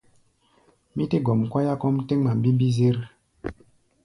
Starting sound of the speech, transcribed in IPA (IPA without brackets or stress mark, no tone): m